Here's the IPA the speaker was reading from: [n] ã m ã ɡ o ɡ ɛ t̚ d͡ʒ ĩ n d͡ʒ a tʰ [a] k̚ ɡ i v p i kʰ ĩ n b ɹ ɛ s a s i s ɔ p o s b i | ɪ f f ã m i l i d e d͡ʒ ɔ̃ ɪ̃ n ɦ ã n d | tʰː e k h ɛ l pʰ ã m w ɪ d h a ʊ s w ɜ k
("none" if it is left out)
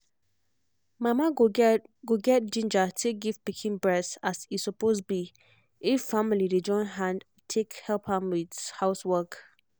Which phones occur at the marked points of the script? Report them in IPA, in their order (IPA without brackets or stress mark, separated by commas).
m, e